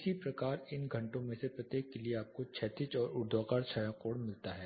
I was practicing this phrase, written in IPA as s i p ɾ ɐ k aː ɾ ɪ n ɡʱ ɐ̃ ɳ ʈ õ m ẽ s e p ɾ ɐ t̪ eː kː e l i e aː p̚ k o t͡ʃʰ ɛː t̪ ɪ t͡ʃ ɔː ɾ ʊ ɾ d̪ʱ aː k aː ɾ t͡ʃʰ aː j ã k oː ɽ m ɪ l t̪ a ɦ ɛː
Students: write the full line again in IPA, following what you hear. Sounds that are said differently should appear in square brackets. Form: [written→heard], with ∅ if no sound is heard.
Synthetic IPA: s i p ɾ ɐ k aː ɾ ɪ n ɡʱ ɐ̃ ɳ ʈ õ m ẽ s e p ɾ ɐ t̪ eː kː e l i e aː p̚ k o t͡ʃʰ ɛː t̪ ɪ t͡ʃ ɔː ɾ ʊ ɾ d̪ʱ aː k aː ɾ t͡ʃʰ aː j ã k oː ɽ m ɪ l t̪ a ɦ ɛː